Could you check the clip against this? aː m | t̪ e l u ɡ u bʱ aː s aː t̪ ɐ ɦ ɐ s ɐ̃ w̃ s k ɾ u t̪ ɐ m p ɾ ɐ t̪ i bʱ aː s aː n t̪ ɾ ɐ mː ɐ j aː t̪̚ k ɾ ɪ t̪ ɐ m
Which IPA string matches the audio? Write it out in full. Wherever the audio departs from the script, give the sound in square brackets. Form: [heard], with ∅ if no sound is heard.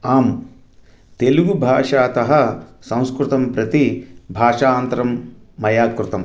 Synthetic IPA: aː m | t̪ e l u ɡ u bʱ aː [ʂ] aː t̪ ɐ ɦ ɐ s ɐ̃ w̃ s k ɾ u t̪ ɐ m p ɾ ɐ t̪ i bʱ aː [ʂ] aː n t̪ ɾ ɐ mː ɐ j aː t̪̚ k ɾ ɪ t̪ ɐ m